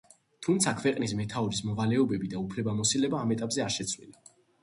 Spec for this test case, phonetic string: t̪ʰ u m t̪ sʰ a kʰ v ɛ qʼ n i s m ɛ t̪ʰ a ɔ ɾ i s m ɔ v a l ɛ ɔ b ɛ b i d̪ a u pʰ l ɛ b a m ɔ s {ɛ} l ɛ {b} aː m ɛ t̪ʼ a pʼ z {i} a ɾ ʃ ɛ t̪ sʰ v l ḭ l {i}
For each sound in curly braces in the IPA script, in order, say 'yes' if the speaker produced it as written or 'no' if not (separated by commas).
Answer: no, yes, no, no